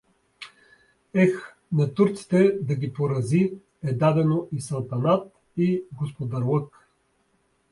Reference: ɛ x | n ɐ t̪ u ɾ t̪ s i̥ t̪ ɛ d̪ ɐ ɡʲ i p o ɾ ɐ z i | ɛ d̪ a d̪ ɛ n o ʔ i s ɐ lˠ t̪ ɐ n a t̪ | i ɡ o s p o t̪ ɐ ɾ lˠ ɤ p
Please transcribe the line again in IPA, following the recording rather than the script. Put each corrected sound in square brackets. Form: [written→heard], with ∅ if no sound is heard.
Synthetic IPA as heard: ɛ x | n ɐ t̪ u ɾ t̪ s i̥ t̪ ɛ d̪ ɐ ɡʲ i p o ɾ ɐ z i | ɛ d̪ a d̪ ɛ n o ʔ i s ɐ lˠ t̪ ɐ n a t̪ | i ɡ o s p o [t̪→d̪] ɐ ɾ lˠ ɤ [p→k]